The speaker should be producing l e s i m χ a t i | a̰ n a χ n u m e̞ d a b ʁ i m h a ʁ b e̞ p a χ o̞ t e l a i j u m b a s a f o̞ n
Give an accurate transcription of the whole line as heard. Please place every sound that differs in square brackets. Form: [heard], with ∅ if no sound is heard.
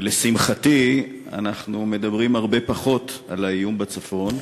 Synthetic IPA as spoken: l e s i m χ a t i | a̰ n a χ n u m e̞ d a b ʁ i m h a ʁ b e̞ p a χ o̞ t [a] l a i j u m b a [t͡s] a f o̞ n